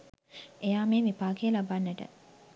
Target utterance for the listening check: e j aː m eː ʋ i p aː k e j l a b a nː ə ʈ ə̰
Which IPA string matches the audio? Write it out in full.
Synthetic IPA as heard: e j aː m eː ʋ i p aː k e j l a b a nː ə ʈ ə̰